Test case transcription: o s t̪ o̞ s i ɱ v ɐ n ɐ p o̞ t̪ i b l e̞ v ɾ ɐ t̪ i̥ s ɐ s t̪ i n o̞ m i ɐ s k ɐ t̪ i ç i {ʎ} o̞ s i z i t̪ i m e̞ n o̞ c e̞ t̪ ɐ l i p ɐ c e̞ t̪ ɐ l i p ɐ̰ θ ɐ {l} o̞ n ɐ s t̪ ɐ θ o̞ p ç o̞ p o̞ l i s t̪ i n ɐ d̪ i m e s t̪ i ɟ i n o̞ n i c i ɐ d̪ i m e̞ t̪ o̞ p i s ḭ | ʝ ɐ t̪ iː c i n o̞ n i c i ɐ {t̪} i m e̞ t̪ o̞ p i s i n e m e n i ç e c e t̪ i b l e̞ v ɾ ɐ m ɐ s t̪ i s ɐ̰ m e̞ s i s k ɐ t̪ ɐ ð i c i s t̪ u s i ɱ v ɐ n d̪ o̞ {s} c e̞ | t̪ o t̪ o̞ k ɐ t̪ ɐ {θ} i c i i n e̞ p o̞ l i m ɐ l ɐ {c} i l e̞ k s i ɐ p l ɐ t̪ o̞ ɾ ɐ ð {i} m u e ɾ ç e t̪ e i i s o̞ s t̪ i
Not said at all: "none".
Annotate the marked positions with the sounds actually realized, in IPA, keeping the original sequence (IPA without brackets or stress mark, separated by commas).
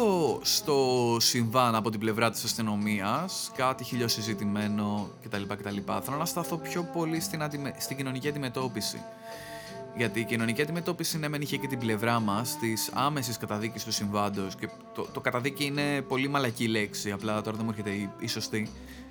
ʎ, l, d̪, s, ð, c, e